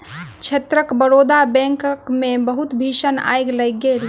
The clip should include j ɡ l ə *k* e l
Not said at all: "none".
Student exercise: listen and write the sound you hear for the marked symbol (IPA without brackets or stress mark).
ɡ